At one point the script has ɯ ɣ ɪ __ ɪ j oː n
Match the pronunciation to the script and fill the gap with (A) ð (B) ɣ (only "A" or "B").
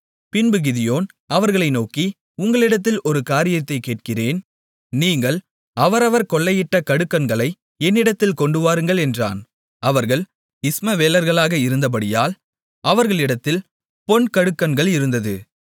A